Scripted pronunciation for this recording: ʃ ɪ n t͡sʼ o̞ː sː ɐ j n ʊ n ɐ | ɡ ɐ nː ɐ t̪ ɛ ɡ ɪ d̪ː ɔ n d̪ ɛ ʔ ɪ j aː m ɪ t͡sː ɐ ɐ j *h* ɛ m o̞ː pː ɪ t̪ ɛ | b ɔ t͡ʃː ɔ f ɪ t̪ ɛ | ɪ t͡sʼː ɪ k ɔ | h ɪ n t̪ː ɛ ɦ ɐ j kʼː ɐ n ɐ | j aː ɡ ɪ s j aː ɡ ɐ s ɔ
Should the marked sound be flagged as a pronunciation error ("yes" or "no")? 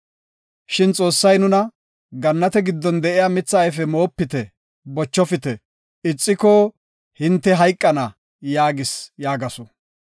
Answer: yes